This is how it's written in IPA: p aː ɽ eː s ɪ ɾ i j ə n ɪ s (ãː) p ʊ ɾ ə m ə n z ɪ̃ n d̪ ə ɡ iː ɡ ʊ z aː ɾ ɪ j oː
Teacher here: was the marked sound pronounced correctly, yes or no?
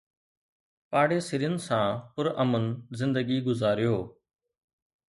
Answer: yes